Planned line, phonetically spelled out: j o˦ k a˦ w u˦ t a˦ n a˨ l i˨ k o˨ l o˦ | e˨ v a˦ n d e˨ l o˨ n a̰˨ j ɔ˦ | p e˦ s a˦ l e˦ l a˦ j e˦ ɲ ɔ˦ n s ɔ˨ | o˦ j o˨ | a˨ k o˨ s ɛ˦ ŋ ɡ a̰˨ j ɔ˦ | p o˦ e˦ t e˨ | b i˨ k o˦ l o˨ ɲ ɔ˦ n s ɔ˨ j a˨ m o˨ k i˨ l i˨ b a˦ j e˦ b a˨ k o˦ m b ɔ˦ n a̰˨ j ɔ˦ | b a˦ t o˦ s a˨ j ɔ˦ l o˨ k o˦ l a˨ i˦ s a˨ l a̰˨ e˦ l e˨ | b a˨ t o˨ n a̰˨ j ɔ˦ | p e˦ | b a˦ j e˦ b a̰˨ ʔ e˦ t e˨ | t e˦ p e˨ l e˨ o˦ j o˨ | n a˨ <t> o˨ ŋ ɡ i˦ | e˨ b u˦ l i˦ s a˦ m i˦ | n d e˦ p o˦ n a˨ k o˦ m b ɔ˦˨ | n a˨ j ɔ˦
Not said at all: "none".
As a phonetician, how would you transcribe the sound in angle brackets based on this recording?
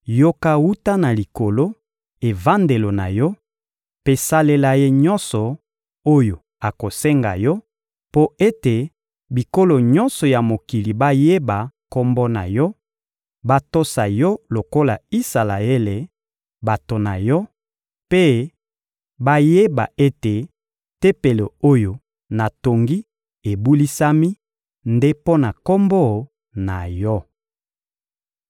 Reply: t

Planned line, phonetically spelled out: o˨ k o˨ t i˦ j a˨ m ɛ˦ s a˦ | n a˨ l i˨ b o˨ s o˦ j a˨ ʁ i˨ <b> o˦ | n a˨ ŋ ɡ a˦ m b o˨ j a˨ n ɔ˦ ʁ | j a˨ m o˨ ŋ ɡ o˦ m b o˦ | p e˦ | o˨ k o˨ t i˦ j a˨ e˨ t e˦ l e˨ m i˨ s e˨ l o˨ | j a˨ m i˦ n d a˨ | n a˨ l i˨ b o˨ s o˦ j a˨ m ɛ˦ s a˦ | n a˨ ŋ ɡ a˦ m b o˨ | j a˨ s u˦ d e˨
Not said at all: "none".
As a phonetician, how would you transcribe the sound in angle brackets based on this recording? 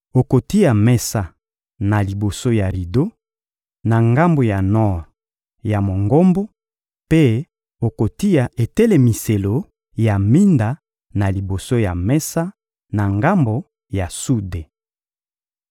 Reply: d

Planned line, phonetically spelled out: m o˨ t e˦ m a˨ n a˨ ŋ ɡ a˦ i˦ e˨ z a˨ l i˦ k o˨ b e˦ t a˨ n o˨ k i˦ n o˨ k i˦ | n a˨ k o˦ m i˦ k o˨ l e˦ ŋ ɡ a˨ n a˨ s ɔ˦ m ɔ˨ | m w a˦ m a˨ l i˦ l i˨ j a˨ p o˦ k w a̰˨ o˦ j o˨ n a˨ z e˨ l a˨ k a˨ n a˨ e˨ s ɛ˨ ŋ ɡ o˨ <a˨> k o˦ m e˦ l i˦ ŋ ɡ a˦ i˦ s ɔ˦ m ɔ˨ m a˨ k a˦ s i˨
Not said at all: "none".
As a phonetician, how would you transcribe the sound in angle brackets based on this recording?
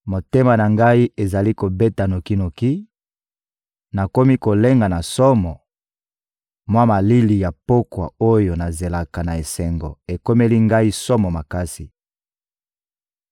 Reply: e˨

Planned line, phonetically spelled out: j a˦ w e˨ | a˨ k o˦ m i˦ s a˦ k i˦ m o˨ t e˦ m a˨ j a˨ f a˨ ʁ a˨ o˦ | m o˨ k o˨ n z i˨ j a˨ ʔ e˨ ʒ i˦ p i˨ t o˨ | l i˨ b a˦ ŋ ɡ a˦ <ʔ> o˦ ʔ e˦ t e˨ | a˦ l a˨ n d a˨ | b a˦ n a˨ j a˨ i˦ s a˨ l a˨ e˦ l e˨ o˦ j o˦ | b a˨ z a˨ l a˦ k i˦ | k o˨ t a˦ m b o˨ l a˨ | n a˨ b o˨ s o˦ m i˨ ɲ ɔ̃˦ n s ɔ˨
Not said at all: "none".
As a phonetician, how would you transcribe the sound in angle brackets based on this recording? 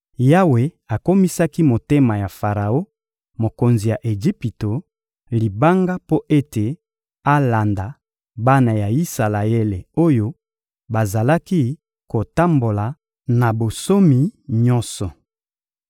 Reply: p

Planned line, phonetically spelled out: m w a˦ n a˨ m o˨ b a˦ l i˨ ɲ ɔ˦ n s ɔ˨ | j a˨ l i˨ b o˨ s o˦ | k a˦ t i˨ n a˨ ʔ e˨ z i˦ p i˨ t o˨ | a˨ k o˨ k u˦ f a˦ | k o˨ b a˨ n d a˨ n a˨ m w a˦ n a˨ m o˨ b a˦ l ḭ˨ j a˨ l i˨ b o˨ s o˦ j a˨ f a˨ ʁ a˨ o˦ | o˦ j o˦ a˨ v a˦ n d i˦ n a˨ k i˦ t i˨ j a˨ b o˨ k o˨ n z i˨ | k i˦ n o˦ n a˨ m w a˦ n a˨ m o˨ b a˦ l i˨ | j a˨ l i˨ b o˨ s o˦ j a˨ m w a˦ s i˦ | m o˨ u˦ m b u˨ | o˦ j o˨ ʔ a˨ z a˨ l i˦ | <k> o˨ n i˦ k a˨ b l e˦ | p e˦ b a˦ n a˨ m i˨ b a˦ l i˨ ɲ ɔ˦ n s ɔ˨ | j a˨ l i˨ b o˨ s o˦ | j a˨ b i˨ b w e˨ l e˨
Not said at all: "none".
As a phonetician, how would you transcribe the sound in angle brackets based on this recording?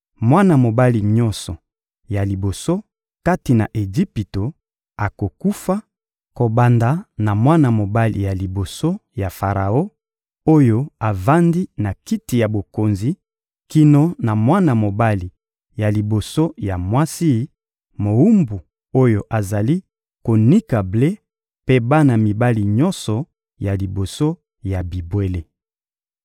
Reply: k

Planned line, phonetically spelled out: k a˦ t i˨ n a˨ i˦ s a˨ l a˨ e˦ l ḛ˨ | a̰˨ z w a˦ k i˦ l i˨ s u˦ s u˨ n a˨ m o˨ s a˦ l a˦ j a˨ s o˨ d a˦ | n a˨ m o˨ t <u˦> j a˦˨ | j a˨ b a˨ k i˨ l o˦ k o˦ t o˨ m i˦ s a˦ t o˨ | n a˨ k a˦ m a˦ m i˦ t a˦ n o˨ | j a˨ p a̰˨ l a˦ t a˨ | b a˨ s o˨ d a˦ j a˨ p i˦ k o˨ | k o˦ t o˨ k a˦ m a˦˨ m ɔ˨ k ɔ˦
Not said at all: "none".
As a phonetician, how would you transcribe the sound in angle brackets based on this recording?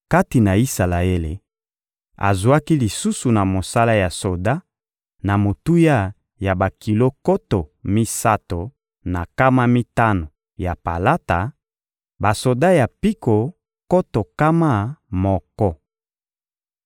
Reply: u˦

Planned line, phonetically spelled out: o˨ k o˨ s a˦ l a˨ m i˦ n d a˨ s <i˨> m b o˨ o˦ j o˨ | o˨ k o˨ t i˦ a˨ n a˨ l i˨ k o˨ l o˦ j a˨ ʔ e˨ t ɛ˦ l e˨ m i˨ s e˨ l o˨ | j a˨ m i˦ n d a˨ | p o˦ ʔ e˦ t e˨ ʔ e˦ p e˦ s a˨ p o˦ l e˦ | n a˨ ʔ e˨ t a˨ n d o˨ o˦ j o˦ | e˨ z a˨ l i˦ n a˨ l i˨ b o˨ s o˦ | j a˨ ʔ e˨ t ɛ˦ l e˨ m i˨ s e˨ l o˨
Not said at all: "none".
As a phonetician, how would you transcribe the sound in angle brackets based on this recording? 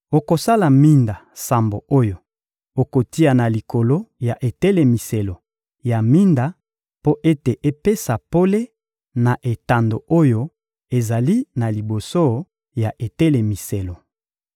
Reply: a˨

